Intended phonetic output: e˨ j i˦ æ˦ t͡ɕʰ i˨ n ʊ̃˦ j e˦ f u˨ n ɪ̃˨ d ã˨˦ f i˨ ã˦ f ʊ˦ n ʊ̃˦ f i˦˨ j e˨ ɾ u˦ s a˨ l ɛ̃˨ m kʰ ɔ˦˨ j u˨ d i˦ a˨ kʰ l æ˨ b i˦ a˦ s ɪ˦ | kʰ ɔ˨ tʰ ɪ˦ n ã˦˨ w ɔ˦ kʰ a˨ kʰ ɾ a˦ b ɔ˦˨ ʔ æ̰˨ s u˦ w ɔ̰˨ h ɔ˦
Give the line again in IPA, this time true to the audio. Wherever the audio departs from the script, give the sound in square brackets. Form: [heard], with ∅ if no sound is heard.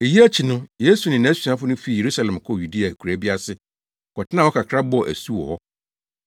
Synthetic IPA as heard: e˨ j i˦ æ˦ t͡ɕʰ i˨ n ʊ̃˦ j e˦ [s] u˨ n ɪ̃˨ [n] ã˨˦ [s] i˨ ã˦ f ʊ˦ n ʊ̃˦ f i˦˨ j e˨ ɾ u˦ s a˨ l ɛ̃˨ m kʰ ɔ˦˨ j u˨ d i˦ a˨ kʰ [ɾ] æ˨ b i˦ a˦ s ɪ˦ | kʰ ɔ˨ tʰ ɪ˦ n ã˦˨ w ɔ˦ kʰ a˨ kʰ ɾ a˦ b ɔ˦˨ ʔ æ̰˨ s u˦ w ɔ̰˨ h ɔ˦